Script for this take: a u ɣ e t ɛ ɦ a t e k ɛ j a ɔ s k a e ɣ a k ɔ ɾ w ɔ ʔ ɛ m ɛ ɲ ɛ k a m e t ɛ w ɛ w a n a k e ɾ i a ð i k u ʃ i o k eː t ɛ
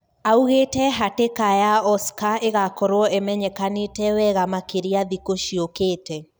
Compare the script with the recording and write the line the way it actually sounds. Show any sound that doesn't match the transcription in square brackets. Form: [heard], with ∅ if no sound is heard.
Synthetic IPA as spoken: a u ɣ e t ɛ ɦ a t e k [a] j a ɔ s k a e ɣ a k ɔ ɾ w ɔ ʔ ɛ m ɛ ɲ ɛ k a [n] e t ɛ w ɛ [ɣ] a [m] a k e ɾ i a ð i k [o] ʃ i o k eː t ɛ